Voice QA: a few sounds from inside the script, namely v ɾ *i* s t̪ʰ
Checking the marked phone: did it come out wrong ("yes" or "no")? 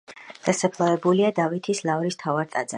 no